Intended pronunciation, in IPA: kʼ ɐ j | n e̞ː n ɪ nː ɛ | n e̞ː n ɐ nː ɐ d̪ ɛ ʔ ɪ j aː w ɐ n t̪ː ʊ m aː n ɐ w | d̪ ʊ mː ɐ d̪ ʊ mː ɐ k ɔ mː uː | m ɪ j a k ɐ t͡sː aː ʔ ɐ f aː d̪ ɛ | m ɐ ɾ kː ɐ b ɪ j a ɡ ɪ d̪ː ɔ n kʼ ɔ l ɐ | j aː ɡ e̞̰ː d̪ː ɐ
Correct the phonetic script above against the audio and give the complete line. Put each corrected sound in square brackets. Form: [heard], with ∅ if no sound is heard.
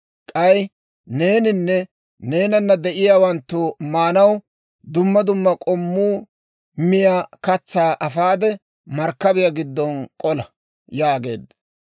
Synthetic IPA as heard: kʼ ɐ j | n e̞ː n ɪ nː ɛ | n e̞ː n ɐ nː ɐ d̪ ɛ ʔ ɪ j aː w ɐ n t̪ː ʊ m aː n ɐ w | d̪ ʊ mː ɐ d̪ ʊ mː ɐ [kʼ] ɔ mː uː | m ɪ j a k ɐ t͡sː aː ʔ ɐ f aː d̪ ɛ | m ɐ ɾ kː ɐ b ɪ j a ɡ ɪ d̪ː ɔ n kʼ ɔ l ɐ | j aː ɡ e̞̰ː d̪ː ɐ